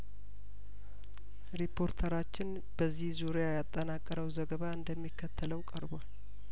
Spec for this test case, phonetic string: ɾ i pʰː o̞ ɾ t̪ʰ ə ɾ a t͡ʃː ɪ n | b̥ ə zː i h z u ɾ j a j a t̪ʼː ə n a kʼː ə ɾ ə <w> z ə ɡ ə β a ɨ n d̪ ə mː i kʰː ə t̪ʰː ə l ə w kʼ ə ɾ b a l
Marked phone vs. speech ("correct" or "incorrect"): correct